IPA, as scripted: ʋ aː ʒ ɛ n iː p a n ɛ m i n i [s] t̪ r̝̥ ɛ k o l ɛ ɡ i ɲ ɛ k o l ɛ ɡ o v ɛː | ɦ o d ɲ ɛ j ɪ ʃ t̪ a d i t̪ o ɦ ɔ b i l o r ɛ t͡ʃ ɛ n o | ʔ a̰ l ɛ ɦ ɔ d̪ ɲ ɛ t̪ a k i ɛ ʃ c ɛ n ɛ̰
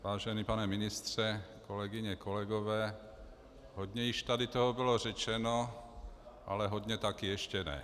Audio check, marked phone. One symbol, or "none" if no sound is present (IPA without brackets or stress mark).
s